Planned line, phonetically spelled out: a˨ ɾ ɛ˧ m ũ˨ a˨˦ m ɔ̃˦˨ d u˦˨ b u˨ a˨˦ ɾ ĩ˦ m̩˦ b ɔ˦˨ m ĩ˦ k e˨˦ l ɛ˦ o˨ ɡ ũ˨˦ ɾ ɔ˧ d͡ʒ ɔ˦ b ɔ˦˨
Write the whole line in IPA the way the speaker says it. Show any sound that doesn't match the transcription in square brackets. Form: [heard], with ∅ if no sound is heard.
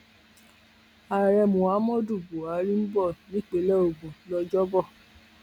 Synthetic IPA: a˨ ɾ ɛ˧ m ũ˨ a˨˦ m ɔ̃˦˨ d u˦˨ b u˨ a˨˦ ɾ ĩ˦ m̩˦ b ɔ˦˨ [n] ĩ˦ [k͡p] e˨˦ l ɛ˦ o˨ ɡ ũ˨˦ [l] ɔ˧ d͡ʒ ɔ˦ b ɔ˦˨